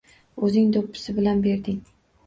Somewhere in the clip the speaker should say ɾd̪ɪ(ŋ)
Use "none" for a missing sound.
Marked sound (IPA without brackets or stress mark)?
ŋ